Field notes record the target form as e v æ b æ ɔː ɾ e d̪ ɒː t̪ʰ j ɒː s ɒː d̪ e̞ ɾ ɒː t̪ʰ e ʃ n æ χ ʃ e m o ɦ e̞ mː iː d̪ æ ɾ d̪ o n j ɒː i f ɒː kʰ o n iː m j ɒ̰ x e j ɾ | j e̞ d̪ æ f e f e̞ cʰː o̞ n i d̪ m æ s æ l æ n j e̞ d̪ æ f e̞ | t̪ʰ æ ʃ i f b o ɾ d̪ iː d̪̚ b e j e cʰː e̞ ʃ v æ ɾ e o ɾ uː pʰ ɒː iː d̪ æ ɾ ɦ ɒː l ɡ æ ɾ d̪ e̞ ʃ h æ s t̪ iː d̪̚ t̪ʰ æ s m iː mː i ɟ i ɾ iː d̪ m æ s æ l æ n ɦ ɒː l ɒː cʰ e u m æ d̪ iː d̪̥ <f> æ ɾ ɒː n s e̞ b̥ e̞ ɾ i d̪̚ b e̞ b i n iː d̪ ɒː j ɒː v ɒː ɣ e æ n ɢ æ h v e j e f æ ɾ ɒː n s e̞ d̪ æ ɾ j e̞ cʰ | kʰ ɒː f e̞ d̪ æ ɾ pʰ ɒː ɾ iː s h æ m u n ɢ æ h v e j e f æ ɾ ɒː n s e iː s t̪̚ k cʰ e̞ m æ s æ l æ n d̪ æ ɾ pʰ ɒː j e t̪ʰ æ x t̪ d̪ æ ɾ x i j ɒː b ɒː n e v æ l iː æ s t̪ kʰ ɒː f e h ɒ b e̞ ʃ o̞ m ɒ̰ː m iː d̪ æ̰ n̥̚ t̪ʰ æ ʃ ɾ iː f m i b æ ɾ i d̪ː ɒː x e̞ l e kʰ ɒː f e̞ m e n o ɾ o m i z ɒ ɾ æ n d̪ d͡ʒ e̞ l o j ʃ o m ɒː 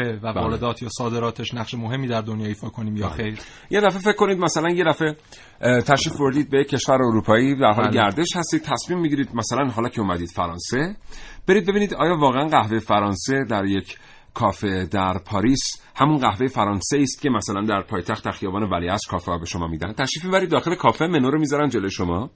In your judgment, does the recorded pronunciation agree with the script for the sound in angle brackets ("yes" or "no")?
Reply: yes